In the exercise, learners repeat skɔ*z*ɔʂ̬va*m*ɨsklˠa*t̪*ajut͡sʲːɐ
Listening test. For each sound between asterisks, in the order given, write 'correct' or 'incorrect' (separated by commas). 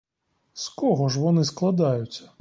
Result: incorrect, incorrect, incorrect